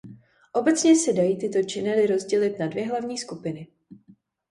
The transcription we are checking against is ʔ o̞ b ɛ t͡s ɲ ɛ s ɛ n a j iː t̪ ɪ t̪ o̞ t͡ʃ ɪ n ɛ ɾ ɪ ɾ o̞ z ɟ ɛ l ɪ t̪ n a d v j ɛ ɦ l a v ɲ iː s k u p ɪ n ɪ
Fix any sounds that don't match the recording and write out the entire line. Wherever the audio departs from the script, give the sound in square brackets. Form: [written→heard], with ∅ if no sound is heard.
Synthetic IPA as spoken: ʔ o̞ b ɛ t͡s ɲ ɛ s ɛ [n→d] a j iː t̪ ɪ t̪ o̞ t͡ʃ ɪ n ɛ [ɾ→l] ɪ ɾ o̞ z ɟ ɛ l ɪ t̪ n a d v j ɛ ɦ l a v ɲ iː s k u p ɪ n ɪ